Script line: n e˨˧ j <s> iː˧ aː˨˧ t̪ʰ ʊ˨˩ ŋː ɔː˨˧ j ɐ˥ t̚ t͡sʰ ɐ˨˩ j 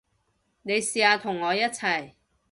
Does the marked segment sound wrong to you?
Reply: no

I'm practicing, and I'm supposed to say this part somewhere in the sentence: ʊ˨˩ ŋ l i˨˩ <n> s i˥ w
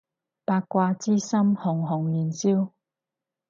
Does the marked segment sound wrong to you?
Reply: no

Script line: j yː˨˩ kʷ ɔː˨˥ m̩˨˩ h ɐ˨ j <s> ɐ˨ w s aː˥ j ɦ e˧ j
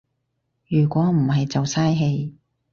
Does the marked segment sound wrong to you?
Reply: yes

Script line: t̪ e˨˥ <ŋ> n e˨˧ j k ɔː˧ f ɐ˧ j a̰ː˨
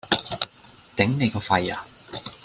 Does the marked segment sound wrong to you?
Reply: no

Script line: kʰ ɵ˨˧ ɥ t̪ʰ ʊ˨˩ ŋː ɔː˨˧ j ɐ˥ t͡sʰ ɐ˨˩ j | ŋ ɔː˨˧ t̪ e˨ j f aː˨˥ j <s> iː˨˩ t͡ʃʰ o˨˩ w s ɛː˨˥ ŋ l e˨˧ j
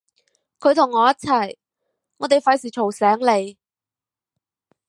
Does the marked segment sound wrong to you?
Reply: no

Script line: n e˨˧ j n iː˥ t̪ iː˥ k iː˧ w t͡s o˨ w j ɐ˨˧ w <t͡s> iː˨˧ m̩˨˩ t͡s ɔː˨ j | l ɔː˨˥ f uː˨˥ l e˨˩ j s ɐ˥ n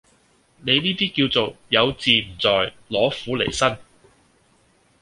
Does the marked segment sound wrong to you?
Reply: no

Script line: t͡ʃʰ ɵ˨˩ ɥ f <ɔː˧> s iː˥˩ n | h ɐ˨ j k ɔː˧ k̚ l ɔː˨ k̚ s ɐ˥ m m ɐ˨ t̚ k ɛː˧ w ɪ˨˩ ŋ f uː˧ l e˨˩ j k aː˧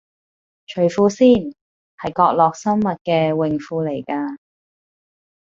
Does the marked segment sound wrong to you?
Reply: yes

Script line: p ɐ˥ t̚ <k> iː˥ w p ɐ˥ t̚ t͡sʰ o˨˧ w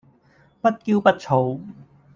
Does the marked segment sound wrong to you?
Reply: no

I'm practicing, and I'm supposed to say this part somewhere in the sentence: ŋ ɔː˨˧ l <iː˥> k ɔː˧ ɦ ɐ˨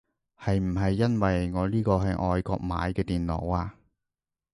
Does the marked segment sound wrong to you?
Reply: no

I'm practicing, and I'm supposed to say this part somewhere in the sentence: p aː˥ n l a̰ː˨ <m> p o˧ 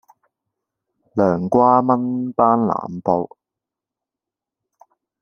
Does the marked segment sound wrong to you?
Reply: no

